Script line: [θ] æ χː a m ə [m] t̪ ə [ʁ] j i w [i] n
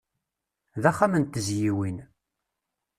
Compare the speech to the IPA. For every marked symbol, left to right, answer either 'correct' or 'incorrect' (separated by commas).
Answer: incorrect, incorrect, incorrect, correct